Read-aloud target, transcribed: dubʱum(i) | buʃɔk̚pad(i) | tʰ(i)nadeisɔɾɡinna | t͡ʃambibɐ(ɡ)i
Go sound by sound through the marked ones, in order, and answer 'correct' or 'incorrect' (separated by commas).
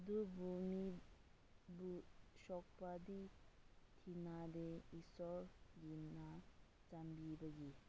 correct, correct, correct, correct